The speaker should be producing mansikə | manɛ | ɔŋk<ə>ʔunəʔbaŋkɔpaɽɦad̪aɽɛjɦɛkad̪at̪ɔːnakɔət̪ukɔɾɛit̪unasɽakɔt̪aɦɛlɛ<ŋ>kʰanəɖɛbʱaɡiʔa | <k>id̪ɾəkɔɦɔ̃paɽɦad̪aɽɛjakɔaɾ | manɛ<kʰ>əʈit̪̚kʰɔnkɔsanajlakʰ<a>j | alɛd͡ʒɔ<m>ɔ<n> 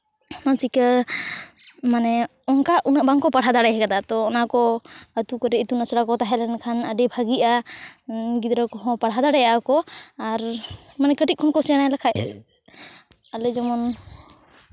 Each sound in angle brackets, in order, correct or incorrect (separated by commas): incorrect, incorrect, incorrect, incorrect, correct, correct, correct